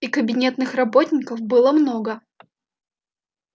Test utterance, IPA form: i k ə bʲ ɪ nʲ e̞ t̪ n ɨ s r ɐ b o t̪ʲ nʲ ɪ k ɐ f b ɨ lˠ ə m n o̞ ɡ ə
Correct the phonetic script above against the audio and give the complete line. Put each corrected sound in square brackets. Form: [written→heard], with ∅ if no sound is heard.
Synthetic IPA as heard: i k ə bʲ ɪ nʲ e̞ t̪ n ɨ [s→x] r ɐ b o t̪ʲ nʲ ɪ k [ɐ→ə] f b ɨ lˠ ə m n o̞ ɡ ə

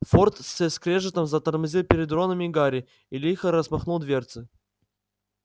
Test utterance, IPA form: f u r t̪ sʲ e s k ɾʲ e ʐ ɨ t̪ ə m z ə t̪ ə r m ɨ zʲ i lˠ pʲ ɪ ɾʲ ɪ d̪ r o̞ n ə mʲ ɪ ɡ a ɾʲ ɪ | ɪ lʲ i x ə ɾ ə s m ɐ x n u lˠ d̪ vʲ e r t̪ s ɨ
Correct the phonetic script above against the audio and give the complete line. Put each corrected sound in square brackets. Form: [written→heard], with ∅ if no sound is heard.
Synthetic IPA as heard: f [u→o] r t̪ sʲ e s k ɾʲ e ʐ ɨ t̪ ə m z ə t̪ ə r m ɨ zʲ i lˠ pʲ ɪ ɾʲ ɪ d̪ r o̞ n ə mʲ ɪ ɡ a ɾʲ ɪ | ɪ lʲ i x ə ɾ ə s m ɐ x n u lˠ d̪ vʲ e r t̪ s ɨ

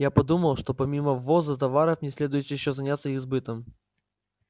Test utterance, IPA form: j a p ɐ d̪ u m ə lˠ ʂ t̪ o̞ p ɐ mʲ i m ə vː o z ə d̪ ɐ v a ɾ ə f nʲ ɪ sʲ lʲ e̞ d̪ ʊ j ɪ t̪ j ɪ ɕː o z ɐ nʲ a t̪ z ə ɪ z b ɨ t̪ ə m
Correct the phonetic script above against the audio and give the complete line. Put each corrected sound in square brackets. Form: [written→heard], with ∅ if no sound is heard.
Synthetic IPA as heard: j a p ɐ d̪ u m ə lˠ ʂ t̪ o̞ p ɐ mʲ i m ə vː o z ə [d̪→t̪] ɐ v a ɾ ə f nʲ ɪ sʲ lʲ e̞ d̪ ʊ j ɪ t̪ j ɪ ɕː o z ɐ nʲ a t̪ [z→s] ə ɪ z b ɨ t̪ ə m

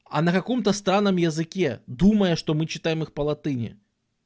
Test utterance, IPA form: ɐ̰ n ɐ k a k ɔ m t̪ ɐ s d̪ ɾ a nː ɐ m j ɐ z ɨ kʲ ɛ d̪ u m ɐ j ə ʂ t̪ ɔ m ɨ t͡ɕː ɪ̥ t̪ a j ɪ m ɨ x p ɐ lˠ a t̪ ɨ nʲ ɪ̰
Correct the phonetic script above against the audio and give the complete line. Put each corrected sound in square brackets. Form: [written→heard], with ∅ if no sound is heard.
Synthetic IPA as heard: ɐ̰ n ɐ k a k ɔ m t̪ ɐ s [d̪→t̪] ɾ a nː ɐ m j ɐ z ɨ kʲ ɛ d̪ u m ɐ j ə ʂ t̪ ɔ m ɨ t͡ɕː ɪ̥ t̪ a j ɪ m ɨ x p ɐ lˠ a t̪ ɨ nʲ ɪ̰

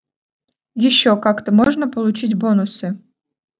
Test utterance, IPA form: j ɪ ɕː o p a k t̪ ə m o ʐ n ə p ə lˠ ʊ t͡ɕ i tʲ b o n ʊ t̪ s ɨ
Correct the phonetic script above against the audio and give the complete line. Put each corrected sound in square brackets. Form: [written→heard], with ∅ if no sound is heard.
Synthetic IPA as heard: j ɪ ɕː o [p→k] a k t̪ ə m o ʐ n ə p ə lˠ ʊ t͡ɕ i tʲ b o n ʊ [t̪→∅] s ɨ

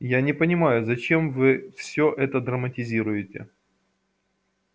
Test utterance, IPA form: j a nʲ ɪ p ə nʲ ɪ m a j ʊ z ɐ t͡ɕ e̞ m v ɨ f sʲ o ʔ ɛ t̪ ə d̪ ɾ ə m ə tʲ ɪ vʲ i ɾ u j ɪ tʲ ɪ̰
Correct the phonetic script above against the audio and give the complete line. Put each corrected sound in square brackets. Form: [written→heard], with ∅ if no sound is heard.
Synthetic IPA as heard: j a nʲ ɪ p ə nʲ ɪ m a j ʊ z ɐ t͡ɕ e̞ m v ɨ f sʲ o ʔ ɛ t̪ ə d̪ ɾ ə m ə tʲ ɪ [vʲ→zʲ] i ɾ [u→ʊ] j ɪ tʲ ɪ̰

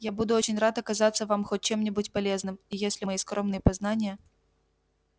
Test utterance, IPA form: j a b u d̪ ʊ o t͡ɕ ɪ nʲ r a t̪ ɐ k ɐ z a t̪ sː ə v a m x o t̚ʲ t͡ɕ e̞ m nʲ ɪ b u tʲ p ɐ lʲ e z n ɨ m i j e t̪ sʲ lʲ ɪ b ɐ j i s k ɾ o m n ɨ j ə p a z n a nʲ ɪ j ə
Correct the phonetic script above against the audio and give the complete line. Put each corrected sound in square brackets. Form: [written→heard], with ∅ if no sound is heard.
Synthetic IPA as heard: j a b u d̪ ʊ o t͡ɕ ɪ nʲ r a t̪ ɐ k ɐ z a t̪ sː ə v a m x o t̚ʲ t͡ɕ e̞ m nʲ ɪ b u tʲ p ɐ lʲ e z n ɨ m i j e [t̪→∅] sʲ lʲ ɪ [b→m] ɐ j i s k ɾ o m n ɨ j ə p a z n a nʲ ɪ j ə

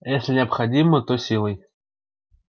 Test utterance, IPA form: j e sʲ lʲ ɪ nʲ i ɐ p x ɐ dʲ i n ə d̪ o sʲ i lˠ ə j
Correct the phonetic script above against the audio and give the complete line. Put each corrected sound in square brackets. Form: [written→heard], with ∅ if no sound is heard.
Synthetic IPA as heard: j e sʲ lʲ ɪ nʲ [i→ɪ] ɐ p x ɐ dʲ i [n→m] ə [d̪→t̪] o sʲ i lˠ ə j

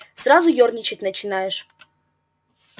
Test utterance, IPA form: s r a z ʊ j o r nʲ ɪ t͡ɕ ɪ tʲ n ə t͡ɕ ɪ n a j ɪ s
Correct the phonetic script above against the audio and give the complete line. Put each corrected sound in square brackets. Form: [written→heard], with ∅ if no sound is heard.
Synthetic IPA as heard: s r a z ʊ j o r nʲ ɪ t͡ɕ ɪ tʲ n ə t͡ɕ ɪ n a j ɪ [s→ʂ]

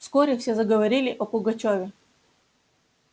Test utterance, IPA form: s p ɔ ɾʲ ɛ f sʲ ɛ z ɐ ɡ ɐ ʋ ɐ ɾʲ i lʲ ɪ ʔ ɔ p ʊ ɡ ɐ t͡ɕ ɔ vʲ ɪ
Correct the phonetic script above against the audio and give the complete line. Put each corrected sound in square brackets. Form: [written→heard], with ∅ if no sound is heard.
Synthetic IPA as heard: s [p→k] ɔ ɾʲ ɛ f sʲ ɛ z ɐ ɡ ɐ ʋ ɐ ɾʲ i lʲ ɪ ʔ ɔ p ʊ ɡ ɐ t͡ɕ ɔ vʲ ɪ

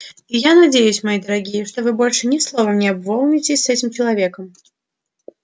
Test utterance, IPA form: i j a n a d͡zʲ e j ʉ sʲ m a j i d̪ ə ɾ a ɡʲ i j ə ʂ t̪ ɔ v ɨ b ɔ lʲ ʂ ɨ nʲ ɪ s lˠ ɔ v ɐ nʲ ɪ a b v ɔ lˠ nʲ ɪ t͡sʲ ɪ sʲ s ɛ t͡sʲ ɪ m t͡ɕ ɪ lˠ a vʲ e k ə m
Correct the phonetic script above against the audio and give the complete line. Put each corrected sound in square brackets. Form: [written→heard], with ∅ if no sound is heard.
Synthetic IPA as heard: i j a n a d͡zʲ e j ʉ sʲ m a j i d̪ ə ɾ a ɡʲ i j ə ʂ t̪ ɔ v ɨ b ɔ lʲ ʂ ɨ nʲ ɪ s lˠ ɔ v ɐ nʲ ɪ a b v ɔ lˠ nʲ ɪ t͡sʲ ɪ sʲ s ɛ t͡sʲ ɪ m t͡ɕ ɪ lˠ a vʲ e k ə m

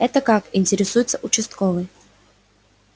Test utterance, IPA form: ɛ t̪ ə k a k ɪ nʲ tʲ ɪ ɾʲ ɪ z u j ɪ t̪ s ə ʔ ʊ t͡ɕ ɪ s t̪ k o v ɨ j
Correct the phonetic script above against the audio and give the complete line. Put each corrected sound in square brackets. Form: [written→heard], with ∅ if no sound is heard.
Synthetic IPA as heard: ɛ t̪ ə k a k ɪ nʲ tʲ ɪ ɾʲ ɪ [z→s] u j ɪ t̪ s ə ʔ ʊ t͡ɕ ɪ s t̪ k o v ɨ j

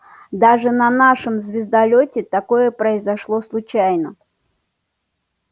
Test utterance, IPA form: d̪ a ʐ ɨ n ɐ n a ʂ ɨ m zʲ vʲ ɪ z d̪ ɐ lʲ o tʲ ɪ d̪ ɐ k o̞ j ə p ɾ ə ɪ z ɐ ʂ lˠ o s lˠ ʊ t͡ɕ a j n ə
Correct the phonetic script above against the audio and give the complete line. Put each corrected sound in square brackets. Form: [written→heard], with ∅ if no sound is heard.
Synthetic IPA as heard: d̪ a ʐ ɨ n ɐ n a ʂ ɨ m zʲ vʲ ɪ z d̪ ɐ lʲ o tʲ ɪ [d̪→t̪] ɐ k o̞ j ə p ɾ ə ɪ z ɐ ʂ lˠ o s lˠ ʊ t͡ɕ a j n ə

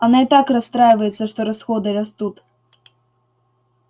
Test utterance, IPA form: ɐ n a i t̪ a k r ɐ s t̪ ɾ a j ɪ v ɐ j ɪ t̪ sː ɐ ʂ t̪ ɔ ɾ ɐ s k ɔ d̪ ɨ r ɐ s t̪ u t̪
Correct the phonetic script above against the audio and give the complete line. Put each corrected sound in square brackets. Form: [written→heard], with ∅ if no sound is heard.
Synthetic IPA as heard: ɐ n a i t̪ a k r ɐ s t̪ ɾ a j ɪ v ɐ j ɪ t̪ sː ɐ ʂ t̪ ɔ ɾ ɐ s [k→x] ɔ d̪ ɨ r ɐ s t̪ u t̪

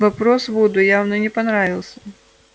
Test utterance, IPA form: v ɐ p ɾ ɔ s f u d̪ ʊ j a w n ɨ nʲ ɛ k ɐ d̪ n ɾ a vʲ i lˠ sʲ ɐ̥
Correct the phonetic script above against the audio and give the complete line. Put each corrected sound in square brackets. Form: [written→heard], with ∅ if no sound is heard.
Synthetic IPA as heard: v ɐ p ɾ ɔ s [f→v] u d̪ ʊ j a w n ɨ nʲ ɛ [k→p] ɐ [d̪→∅] n ɾ a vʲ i lˠ sʲ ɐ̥

